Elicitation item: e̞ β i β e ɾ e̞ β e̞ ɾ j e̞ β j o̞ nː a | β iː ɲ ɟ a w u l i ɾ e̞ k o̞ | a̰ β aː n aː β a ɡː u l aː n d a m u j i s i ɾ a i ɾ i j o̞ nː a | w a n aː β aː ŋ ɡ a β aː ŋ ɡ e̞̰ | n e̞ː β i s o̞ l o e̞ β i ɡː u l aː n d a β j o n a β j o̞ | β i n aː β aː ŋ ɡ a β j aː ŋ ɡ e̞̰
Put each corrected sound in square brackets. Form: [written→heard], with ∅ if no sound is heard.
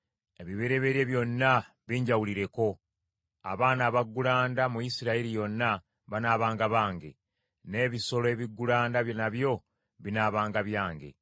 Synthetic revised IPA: e̞ β i β e ɾ e̞ β e̞ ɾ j e̞ β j o̞ nː a | β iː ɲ ɟ a w u l i ɾ e̞ k o̞ | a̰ β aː n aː β a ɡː u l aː n d a m u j i s i ɾ a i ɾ i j o̞ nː a | [w→β] a n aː β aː ŋ ɡ a β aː ŋ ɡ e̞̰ | n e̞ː β i s o̞ l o e̞ β i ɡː u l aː n d a β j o n a β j o̞ | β i n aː β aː ŋ ɡ a β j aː ŋ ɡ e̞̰